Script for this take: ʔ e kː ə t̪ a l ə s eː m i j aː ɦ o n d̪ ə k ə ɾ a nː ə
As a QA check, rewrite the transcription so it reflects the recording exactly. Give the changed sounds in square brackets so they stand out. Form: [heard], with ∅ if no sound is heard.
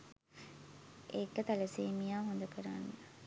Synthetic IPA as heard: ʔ e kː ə t̪ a l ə s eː m i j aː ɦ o n d̪ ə k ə ɾ a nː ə